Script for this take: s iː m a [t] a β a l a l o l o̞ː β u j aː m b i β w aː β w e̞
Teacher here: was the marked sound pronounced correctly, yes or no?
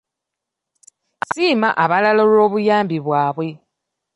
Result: no